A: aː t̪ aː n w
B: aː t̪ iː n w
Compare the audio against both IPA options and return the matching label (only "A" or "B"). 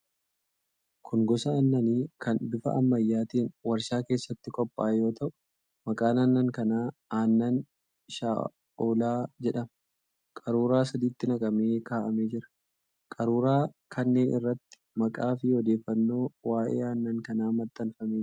B